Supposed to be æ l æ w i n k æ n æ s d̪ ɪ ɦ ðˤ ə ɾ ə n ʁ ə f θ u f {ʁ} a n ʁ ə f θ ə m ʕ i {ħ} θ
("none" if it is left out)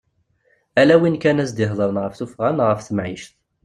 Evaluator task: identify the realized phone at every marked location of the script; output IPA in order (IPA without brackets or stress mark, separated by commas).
ʁ, ʃ